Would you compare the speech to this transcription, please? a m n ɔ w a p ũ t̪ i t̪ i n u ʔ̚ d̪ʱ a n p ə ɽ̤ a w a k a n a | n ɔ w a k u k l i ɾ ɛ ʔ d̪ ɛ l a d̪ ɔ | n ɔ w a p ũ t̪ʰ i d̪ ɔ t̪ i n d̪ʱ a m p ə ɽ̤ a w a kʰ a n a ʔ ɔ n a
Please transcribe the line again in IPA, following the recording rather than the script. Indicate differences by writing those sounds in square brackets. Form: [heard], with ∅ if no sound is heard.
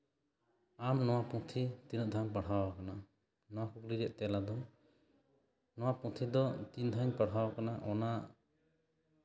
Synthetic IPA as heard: a m n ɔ w a p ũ [t̪ʰ] i t̪ i n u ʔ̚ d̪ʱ a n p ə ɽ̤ a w a k a n a | n ɔ w a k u k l i ɾ ɛ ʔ [t̪] ɛ l a d̪ ɔ | n ɔ w a p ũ t̪ʰ i d̪ ɔ t̪ i n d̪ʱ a [ɲ] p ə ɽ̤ a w a [k] a n a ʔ ɔ n a